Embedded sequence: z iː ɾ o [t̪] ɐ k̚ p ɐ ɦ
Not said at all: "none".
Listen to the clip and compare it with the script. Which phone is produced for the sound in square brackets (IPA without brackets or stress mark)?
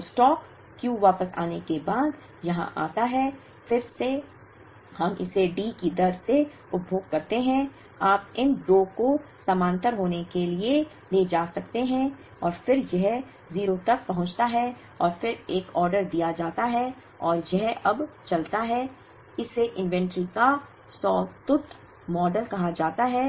t̪